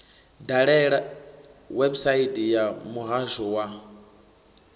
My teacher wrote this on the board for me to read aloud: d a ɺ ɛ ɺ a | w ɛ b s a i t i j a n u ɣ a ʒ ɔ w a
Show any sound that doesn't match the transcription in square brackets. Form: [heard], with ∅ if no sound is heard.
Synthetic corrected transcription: d a ɺ ɛ ɺ a | w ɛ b s a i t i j a [m] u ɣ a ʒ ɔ w a